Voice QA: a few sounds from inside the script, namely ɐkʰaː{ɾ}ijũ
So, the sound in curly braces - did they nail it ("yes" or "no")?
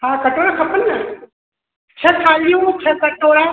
no